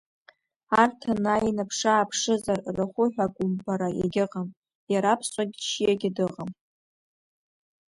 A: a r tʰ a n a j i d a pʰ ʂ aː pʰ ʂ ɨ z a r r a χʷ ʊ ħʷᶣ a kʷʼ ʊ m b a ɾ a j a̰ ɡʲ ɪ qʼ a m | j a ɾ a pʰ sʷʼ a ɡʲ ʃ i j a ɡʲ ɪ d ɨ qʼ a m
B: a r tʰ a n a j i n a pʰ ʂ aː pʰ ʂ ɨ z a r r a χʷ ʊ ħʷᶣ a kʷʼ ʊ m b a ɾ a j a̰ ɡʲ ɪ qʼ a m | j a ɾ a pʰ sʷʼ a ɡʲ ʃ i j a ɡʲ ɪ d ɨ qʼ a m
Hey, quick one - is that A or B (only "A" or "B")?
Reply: B